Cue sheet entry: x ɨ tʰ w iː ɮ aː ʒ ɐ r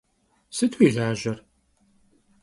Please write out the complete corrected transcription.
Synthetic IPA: s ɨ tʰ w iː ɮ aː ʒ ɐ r